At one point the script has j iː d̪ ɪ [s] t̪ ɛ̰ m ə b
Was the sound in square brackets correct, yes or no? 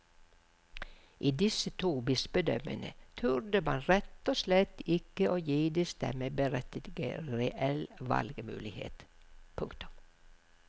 yes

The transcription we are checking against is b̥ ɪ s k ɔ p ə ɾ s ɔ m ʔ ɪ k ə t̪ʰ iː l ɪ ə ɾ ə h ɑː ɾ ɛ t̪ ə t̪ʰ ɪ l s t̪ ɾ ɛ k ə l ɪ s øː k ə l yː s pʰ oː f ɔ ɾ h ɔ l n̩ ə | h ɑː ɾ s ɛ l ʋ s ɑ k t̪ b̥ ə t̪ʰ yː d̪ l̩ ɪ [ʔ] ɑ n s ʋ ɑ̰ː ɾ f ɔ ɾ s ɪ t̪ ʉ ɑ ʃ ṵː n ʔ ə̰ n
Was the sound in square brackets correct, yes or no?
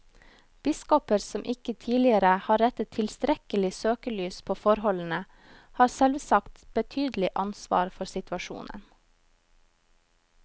yes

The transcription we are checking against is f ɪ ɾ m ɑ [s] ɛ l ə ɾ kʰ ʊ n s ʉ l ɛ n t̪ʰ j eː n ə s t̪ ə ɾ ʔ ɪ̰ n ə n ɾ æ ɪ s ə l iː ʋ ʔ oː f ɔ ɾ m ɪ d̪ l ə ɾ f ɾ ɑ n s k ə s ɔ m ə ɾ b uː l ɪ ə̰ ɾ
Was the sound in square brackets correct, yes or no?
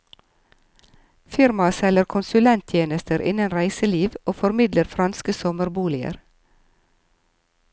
yes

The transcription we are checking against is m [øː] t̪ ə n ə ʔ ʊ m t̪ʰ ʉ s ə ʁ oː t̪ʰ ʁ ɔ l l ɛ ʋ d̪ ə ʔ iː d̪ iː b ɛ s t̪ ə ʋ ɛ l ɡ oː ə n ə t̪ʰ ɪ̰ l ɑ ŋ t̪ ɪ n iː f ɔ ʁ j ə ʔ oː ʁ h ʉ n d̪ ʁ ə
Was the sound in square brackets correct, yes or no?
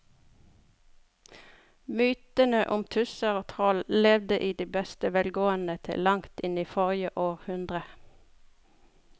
no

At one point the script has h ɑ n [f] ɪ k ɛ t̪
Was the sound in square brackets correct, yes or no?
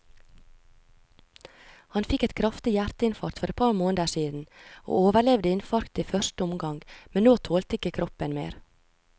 yes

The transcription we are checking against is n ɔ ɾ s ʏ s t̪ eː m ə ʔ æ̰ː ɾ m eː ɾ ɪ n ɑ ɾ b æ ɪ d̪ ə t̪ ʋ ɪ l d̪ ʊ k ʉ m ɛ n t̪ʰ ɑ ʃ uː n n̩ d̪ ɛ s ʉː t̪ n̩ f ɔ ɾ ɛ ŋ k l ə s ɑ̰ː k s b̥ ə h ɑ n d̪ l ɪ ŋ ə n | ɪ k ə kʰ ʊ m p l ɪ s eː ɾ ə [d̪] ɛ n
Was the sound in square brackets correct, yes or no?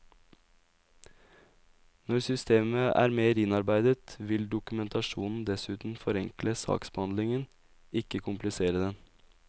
yes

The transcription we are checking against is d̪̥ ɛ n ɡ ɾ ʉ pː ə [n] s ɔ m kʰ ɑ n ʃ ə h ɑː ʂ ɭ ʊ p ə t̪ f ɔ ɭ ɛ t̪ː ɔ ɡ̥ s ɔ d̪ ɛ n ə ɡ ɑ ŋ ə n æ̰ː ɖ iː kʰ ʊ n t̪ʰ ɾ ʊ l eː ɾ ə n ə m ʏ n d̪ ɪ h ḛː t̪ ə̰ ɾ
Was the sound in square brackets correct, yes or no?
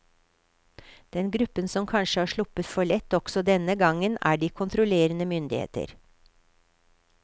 yes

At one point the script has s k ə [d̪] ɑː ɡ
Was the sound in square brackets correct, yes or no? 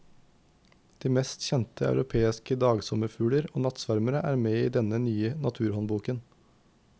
yes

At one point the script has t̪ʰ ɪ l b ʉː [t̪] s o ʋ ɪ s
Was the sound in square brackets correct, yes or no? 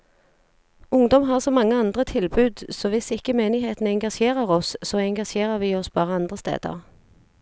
no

